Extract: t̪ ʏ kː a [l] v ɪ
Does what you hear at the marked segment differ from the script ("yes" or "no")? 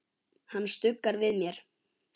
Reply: yes